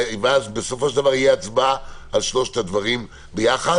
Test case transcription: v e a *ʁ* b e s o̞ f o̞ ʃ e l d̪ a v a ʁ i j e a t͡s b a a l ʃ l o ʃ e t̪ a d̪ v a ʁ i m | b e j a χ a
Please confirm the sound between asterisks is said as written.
no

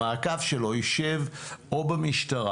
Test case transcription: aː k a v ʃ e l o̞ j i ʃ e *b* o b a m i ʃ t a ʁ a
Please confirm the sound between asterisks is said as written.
no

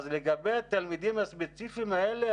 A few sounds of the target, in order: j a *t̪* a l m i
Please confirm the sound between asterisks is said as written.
yes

